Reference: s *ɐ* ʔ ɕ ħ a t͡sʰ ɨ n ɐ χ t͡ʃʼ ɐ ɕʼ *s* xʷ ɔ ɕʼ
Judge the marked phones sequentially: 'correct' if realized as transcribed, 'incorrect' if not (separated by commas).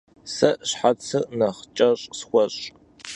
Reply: correct, correct